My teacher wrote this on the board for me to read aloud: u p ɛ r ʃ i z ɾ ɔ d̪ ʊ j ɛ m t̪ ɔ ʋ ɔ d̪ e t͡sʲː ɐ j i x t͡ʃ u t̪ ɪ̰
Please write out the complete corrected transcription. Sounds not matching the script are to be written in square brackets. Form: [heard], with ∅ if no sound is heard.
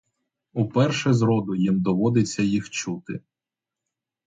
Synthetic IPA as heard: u p ɛ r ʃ [ɛ] z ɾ ɔ d̪ ʊ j [i] m [d̪] ɔ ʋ ɔ d̪ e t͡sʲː ɐ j i x t͡ʃ u t̪ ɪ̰